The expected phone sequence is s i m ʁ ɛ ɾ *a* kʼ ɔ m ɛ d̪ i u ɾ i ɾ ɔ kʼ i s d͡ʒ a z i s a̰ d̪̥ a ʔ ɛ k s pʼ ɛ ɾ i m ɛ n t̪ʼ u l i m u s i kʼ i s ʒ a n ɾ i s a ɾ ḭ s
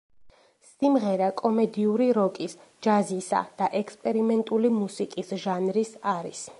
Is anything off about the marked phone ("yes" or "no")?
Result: no